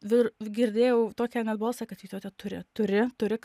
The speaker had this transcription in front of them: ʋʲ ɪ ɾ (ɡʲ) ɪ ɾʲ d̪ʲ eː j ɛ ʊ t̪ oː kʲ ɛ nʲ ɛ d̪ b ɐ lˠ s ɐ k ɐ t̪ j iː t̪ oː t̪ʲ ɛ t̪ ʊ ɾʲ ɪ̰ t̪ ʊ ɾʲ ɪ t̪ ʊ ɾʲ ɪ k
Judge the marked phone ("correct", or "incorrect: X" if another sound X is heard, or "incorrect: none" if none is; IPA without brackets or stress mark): correct